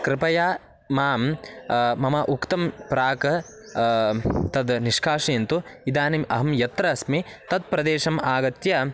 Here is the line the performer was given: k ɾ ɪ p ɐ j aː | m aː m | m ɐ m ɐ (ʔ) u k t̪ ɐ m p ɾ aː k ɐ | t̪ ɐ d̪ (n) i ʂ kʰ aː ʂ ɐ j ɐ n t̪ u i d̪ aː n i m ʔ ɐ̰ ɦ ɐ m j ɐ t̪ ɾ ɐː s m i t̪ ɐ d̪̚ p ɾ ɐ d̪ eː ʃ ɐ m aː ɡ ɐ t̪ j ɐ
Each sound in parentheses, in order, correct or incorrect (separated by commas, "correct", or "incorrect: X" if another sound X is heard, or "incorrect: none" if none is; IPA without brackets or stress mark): correct, correct